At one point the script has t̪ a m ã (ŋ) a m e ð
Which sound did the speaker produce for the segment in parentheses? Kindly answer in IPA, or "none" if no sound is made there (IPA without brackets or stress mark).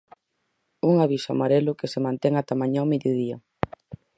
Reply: ɲ